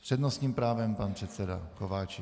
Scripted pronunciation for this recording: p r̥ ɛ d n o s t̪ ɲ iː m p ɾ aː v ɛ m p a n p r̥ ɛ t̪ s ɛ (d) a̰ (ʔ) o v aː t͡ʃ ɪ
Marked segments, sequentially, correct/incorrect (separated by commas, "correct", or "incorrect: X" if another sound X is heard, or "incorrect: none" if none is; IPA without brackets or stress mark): correct, incorrect: k